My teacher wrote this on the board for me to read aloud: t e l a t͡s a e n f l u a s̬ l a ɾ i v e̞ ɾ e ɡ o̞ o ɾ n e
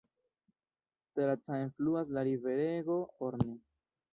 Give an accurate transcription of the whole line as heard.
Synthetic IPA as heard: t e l a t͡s a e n f l u a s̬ l a ɾ i v e̞ ɾ e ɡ o̞ o ɾ n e